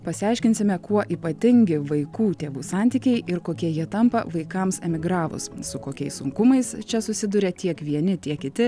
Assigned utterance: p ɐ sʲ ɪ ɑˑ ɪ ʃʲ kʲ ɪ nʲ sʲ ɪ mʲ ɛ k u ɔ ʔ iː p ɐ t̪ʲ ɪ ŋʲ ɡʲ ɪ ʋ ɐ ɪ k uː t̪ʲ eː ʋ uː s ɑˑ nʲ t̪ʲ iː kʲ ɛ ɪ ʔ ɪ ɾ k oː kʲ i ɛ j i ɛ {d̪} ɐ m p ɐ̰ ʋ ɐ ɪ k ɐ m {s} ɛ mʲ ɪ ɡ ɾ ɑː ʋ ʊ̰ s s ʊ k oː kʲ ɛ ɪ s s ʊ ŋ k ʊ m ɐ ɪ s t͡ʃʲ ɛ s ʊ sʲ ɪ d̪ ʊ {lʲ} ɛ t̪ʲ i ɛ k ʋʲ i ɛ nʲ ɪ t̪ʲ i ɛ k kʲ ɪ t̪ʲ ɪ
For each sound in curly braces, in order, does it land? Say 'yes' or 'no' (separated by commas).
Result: no, yes, no